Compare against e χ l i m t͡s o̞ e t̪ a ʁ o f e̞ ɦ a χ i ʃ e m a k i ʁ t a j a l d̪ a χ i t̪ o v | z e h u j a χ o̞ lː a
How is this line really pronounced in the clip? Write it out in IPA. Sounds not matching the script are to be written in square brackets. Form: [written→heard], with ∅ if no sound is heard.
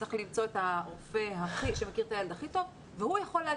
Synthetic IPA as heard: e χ l i m t͡s o̞ e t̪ a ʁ o f e̞ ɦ a χ i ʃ e m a k i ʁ t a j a l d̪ a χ i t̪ o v | [z→v] e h u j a χ o̞ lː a